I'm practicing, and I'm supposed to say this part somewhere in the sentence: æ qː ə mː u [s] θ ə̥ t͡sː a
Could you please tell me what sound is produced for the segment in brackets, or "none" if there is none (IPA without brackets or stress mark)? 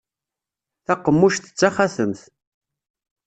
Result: ʃ